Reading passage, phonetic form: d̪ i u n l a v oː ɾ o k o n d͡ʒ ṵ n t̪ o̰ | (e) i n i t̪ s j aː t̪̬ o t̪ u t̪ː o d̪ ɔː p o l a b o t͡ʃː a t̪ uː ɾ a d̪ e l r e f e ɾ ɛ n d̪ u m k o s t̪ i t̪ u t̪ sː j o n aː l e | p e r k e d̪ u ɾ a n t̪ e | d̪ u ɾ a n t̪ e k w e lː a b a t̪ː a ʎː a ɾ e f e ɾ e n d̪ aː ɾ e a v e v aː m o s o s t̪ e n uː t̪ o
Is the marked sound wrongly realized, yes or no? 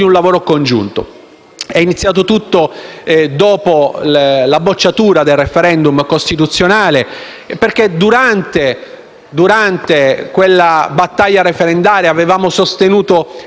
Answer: yes